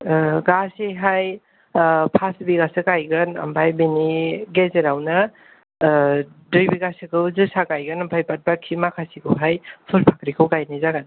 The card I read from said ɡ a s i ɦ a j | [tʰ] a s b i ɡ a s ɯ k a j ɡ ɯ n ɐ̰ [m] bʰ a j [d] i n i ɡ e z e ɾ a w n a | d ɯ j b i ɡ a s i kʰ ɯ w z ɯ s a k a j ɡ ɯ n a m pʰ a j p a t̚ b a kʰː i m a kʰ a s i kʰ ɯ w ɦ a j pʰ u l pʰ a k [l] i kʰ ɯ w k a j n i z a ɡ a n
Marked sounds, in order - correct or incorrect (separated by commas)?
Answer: incorrect, correct, incorrect, incorrect